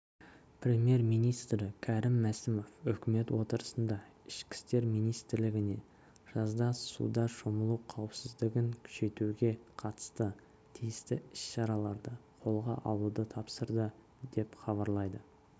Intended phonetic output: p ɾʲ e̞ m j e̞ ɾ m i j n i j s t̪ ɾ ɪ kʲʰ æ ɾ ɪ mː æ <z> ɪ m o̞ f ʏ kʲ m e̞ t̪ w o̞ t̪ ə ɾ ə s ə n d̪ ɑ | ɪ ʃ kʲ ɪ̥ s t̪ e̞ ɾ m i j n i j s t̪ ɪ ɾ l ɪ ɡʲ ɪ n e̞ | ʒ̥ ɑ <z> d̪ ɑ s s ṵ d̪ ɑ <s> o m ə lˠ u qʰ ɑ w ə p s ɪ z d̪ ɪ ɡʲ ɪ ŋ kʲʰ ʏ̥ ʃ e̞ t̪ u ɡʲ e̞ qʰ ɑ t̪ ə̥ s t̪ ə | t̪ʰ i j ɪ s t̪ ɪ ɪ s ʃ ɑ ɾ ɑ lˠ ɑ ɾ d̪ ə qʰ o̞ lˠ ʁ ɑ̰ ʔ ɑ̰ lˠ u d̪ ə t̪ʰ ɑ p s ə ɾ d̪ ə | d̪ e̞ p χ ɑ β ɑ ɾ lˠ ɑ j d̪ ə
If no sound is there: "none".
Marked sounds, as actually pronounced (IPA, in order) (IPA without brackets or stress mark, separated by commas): s, z, ʃ